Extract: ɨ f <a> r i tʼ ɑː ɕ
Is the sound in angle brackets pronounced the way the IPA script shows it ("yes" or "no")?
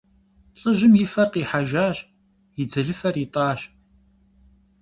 no